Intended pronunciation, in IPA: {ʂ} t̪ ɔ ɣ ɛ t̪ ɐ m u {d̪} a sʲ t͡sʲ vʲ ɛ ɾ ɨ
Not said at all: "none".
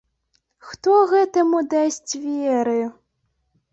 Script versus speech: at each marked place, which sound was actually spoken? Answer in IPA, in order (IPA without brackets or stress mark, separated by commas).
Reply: x, d̪